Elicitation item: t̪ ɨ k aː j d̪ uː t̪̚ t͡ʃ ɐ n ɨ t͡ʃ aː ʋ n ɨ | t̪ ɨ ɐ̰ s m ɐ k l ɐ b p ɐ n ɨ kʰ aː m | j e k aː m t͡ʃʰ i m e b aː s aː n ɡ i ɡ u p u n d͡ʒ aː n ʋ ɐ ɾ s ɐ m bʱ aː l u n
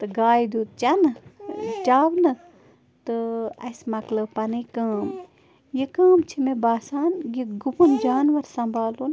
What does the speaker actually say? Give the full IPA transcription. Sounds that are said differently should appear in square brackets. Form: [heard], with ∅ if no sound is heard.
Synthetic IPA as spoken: t̪ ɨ [ɡ] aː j d̪ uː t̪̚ t͡ʃ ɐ n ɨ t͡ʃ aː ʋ n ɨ | t̪ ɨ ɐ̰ s m ɐ k l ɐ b p ɐ n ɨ [k] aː m | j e k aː m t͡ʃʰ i m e b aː s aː n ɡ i ɡ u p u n d͡ʒ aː n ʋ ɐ ɾ s ɐ m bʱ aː l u n